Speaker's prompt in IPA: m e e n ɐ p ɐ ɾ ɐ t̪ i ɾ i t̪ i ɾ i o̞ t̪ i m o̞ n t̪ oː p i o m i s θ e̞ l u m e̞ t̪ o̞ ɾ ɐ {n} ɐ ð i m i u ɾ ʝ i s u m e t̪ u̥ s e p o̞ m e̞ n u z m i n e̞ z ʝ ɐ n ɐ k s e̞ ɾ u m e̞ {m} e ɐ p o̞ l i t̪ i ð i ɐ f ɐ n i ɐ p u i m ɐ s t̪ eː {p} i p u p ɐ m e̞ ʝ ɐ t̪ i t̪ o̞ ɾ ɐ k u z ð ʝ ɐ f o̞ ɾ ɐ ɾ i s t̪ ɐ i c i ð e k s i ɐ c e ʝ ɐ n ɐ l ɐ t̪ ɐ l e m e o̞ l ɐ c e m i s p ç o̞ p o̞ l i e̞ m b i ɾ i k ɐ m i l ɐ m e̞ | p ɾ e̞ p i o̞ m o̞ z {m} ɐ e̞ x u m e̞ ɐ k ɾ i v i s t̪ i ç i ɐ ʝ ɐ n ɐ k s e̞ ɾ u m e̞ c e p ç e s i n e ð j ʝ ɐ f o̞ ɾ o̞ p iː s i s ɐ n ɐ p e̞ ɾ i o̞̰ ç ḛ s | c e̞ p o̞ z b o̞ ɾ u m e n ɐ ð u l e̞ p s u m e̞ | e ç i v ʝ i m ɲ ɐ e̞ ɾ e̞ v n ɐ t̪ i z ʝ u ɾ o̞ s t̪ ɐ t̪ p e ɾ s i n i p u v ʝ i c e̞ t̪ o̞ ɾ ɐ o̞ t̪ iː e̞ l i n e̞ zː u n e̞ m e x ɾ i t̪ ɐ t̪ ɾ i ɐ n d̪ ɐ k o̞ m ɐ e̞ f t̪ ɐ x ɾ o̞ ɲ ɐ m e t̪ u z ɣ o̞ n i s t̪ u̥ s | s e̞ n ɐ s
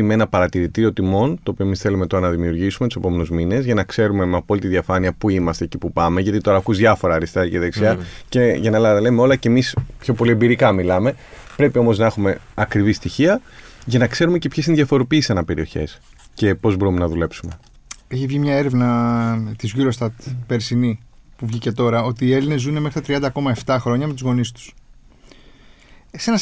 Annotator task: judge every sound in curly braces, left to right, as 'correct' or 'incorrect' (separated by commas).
correct, correct, incorrect, incorrect